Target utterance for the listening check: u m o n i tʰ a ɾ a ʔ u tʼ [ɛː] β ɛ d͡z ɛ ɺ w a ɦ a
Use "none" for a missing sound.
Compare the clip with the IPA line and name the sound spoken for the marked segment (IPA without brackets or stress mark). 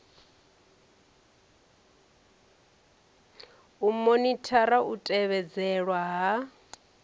ɛ